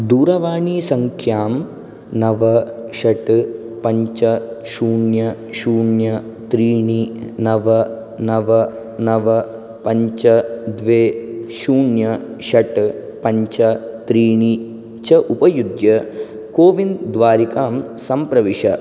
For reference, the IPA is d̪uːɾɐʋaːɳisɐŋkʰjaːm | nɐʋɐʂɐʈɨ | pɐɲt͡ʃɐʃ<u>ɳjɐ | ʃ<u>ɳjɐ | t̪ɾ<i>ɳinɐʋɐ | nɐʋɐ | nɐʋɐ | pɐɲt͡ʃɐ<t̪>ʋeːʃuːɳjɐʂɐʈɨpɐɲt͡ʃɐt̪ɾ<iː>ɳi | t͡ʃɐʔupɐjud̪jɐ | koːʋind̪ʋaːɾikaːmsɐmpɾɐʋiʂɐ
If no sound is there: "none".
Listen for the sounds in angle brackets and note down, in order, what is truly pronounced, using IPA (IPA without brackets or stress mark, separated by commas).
uː, uː, iː, d̪, iː